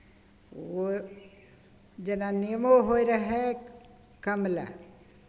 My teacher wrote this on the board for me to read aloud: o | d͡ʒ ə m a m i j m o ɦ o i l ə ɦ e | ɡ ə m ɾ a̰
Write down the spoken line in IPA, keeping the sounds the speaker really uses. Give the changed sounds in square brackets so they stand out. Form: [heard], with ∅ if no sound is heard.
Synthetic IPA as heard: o | d͡ʒ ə [n] a [n] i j m o ɦ o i [ɾ] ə ɦ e | [k] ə m [l] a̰